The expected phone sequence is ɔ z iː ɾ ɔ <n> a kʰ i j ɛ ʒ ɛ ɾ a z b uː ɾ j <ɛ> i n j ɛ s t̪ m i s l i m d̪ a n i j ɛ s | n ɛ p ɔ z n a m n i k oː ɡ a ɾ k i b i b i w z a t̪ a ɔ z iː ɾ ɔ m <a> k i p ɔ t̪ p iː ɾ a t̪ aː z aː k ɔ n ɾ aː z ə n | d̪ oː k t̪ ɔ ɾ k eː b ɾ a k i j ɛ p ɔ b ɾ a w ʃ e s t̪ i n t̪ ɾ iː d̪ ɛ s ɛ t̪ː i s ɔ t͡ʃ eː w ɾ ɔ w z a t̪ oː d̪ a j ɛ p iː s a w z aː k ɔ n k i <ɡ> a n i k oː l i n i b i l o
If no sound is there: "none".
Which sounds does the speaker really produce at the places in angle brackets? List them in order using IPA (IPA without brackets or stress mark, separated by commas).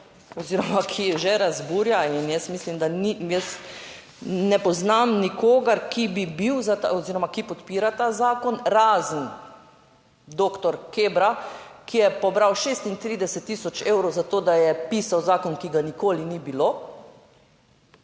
m, a, a, ɡ